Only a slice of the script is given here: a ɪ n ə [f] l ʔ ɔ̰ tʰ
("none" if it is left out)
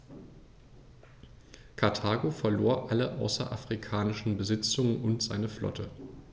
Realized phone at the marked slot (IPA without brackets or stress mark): f